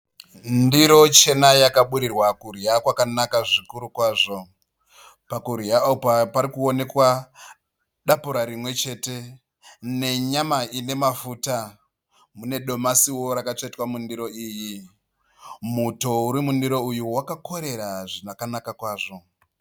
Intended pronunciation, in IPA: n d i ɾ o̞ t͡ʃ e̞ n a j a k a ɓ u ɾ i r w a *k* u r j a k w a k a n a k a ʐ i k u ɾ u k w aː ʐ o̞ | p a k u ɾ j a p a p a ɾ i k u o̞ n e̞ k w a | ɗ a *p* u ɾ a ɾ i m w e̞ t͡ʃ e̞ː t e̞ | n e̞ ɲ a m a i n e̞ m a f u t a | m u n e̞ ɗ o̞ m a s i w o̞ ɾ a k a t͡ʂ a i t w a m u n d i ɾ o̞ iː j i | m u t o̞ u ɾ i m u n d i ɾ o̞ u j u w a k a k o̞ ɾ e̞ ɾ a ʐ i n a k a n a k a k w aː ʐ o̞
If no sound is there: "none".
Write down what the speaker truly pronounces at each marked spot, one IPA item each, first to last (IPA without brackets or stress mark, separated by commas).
k, p